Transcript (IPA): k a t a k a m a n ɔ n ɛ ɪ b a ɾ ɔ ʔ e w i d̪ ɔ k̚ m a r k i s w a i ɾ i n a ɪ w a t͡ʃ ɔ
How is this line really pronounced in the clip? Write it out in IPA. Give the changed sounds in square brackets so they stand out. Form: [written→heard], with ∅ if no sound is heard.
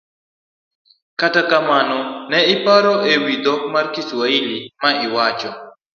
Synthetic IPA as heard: k a t a k a m a n ɔ n ɛ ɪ [b→p] a ɾ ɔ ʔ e w i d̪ ɔ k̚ m a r k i s w a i [ɾ→l] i [n→m] a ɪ w a t͡ʃ ɔ